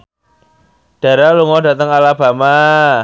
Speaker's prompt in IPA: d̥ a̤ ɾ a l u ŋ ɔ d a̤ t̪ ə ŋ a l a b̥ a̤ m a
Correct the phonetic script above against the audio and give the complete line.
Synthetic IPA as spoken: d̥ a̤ ɾ a l u ŋ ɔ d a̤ t̪ ə ŋ a l a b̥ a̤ m a